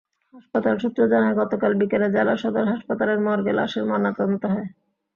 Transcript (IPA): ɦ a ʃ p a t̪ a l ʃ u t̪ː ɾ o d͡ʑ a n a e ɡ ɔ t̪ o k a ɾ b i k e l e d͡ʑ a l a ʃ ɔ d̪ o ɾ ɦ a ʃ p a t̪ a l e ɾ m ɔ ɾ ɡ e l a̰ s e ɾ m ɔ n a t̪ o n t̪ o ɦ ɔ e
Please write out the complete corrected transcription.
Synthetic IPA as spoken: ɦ a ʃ p a t̪ a l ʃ u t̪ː ɾ o d͡ʑ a n a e ɡ ɔ t̪ o k a l b i k e l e d͡ʑ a l a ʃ ɔ d̪ o ɾ ɦ a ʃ p a t̪ a l e ɾ m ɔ ɾ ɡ e l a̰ ʃ e ɾ m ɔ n a t̪ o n t̪ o ɦ ɔ e